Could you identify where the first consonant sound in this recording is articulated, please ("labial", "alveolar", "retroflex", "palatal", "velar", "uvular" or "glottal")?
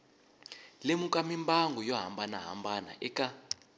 alveolar